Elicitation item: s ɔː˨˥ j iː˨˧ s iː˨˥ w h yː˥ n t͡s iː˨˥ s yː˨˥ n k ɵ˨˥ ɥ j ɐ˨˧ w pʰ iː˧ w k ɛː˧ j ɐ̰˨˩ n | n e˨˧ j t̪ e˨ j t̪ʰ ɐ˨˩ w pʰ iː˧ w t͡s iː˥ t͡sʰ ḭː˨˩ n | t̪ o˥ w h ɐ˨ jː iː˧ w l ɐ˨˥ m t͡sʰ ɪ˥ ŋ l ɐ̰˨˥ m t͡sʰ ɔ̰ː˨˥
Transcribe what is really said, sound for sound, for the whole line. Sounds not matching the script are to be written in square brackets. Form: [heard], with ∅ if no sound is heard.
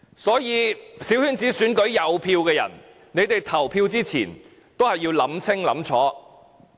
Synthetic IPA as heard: s ɔː˨˥ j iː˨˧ s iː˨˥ w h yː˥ n t͡s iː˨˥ s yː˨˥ n k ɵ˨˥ ɥ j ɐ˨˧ w pʰ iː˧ w k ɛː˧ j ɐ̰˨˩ n | n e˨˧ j t̪ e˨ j t̪ʰ ɐ˨˩ w pʰ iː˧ w t͡s iː˥ t͡sʰ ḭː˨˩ n | t̪ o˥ w h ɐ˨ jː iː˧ w l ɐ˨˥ m t͡sʰ ɪ˥ ŋ l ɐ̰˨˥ m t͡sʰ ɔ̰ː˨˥